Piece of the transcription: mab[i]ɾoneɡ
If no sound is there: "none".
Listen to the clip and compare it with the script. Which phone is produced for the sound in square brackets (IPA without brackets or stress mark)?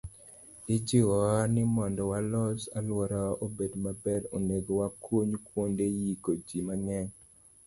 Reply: ɛ